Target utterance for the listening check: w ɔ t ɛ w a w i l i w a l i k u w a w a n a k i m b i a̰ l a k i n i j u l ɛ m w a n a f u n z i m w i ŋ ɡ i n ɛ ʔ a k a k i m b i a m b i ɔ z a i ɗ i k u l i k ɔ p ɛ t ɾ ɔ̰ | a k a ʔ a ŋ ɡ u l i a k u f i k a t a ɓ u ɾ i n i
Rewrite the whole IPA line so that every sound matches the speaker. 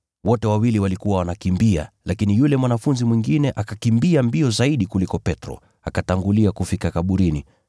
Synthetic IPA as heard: w ɔ t ɛ w a w i l i w a l i k u w a w a n a k i m b i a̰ l a k i n i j u l ɛ m w a n a f u n z i m w i ŋ ɡ i n ɛ ʔ a k a k i m b i a m b i ɔ z a i ɗ i k u l i k ɔ p ɛ t ɾ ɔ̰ | a k a t a ŋ ɡ u l i a k u f i k a k a ɓ u ɾ i n i